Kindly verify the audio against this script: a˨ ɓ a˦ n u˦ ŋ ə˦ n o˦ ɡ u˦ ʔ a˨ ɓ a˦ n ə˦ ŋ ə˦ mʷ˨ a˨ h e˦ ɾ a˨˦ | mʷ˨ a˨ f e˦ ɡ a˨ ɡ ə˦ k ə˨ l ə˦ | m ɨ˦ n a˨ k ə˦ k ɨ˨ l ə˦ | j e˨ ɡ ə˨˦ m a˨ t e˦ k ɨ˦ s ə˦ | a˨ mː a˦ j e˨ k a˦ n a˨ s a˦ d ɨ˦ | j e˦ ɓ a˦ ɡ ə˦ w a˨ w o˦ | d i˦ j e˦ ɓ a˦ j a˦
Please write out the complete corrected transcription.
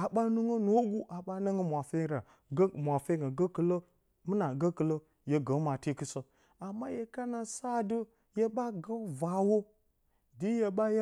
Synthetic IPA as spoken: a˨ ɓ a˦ n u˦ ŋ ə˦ n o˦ ɡ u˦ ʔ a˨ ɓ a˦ n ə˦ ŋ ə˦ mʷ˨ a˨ f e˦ ɾ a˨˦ | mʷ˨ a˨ f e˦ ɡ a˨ ɡ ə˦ k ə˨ l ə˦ | m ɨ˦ n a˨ ɡ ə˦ k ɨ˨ l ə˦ | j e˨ ɡ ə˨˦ m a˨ t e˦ k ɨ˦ s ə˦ | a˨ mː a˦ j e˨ k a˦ n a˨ s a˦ d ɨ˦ | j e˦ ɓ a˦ ɡ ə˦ v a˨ w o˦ | d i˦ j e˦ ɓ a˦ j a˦